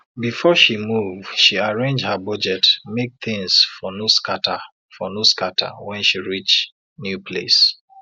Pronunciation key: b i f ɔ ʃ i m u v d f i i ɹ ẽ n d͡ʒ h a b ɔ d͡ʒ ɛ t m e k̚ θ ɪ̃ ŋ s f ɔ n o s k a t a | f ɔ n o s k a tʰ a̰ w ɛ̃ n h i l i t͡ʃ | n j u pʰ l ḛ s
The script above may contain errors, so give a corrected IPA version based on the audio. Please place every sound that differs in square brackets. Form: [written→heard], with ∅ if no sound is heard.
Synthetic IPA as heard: b i f ɔ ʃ i m u v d [f→ʃ] i [i→a] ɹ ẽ n d͡ʒ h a b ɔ d͡ʒ ɛ t m e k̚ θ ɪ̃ ŋ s f ɔ n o s k a t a | f ɔ n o s k a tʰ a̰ w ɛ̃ n [h→ʃ] i [l→ɹ] i t͡ʃ | n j u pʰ l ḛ s